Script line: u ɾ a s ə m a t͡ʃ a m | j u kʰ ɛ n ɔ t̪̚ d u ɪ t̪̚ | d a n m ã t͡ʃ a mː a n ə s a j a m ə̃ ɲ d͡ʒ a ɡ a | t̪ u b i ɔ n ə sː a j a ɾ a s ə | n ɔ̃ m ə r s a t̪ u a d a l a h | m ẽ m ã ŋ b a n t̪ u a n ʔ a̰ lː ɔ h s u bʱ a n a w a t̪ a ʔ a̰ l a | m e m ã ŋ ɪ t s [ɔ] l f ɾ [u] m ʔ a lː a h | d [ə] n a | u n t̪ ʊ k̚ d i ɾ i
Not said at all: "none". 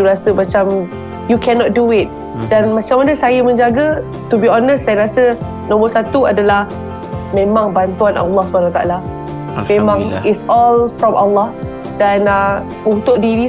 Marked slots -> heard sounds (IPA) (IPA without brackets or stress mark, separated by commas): ɔ, ɔ, a